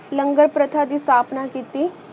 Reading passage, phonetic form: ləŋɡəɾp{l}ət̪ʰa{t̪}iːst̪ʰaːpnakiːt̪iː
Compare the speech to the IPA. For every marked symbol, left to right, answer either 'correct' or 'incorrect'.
incorrect: ɾ, incorrect: d̪

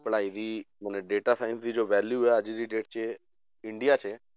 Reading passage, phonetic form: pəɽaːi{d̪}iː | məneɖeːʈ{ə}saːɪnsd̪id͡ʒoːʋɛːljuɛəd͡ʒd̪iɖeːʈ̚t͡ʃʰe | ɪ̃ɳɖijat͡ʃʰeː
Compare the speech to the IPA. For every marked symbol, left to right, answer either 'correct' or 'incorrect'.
correct, incorrect: a

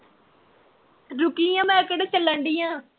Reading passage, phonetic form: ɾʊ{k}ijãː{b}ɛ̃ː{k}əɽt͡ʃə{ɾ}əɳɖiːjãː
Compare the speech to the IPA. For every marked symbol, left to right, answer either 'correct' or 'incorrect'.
correct, incorrect: m, correct, incorrect: l

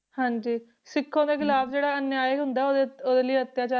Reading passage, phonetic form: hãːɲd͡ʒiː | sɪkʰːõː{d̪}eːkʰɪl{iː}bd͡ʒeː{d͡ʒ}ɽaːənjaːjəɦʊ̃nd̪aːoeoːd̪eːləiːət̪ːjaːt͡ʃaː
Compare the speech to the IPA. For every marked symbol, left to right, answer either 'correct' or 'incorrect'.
correct, incorrect: aː, incorrect: none

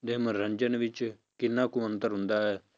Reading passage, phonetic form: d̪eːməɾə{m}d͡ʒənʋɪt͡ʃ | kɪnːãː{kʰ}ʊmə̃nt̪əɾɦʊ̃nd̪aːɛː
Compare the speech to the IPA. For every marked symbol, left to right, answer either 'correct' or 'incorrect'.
incorrect: ɲ, incorrect: k

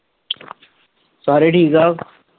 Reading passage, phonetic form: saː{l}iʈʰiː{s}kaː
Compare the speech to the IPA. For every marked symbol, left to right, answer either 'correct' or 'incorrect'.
incorrect: ɾ, incorrect: none

